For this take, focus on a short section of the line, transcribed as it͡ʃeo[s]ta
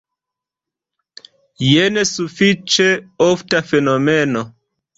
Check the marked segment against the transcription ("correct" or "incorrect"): incorrect